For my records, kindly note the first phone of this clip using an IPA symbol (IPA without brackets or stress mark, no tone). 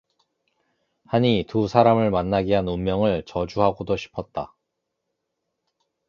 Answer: h